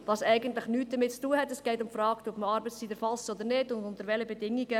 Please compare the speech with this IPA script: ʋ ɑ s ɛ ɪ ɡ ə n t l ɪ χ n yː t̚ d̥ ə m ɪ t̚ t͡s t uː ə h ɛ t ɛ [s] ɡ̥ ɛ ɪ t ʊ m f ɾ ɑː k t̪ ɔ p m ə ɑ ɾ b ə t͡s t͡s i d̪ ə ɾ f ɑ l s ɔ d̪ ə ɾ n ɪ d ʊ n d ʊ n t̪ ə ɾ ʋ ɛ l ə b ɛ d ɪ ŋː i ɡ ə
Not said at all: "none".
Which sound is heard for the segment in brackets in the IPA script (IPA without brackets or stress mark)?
s